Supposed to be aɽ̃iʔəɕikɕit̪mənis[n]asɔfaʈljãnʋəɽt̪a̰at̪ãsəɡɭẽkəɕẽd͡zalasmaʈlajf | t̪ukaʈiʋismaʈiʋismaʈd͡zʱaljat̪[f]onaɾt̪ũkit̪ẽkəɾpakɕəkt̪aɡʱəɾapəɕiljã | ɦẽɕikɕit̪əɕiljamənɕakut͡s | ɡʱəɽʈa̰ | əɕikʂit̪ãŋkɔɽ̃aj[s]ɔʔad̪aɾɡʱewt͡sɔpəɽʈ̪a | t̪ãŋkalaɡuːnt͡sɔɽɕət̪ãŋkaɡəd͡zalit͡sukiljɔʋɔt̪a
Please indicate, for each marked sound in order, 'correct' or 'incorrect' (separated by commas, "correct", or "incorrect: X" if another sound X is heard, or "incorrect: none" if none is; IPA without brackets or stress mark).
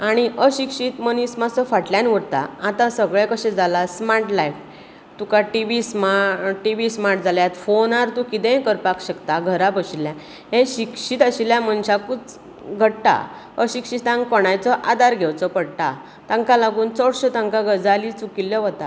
incorrect: m, correct, incorrect: t͡s